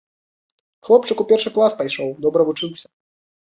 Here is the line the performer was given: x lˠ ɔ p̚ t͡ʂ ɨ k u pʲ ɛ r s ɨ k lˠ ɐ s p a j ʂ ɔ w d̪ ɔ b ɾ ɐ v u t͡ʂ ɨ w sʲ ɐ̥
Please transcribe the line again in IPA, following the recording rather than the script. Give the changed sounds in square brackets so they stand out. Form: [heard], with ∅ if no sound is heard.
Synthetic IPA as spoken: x lˠ ɔ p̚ t͡ʂ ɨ k u pʲ ɛ r [ʂ] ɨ k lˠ [a] s p a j ʂ ɔ w d̪ ɔ b ɾ ɐ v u t͡ʂ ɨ w sʲ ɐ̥